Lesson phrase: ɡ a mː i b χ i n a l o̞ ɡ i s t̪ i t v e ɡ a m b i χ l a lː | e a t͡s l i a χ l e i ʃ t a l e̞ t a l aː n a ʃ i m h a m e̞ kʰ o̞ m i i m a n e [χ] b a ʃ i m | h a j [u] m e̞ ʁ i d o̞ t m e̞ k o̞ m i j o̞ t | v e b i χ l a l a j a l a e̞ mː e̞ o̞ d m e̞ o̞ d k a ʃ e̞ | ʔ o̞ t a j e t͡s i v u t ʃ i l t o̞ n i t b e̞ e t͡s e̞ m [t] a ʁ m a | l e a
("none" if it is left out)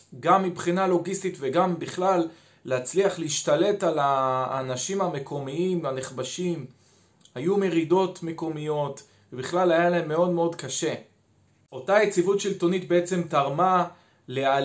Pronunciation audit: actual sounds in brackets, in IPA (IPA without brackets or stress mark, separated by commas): χ, u, t